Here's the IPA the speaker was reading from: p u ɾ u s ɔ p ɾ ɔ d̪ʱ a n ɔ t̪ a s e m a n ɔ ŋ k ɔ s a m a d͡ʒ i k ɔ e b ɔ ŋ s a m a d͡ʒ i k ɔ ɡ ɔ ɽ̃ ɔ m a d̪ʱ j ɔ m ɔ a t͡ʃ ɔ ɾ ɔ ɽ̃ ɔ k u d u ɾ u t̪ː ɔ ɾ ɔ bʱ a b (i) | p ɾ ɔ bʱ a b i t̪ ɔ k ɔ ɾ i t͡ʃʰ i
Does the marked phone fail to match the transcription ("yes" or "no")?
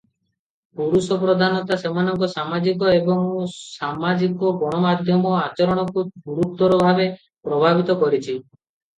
yes